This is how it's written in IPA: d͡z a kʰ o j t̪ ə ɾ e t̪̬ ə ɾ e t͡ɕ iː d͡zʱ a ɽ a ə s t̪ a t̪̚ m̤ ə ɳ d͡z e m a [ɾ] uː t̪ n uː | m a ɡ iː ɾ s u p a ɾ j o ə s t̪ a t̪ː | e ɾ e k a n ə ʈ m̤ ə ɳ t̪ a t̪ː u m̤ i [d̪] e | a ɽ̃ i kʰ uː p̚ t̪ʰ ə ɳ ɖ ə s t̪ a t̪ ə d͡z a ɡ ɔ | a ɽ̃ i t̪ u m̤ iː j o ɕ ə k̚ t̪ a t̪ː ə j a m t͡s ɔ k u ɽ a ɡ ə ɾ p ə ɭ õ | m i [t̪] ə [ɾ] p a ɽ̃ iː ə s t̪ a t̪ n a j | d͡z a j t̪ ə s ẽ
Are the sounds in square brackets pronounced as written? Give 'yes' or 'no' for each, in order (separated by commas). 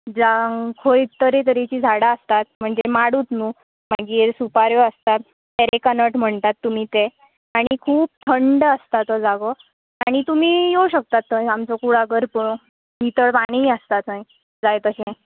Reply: no, no, yes, no